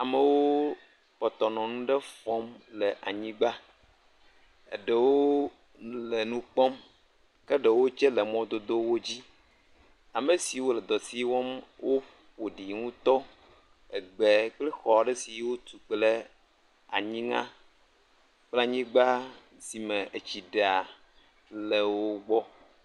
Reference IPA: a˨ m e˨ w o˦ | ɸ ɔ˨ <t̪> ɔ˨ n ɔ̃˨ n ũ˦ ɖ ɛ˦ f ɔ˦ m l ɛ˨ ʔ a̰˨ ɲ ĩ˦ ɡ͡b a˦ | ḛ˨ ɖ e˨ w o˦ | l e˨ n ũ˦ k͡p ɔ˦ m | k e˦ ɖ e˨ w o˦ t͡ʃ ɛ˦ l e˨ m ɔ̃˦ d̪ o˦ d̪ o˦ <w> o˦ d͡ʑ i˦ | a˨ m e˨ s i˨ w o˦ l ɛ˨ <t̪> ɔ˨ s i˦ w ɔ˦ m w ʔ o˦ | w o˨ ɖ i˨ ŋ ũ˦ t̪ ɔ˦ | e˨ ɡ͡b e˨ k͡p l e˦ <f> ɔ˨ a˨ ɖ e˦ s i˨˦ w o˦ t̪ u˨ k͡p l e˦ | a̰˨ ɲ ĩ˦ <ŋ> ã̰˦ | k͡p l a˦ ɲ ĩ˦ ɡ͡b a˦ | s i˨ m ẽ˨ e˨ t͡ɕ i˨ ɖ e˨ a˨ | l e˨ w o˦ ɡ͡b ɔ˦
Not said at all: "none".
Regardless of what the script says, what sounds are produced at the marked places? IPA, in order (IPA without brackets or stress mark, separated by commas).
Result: t̪, w, d̪, x, ŋ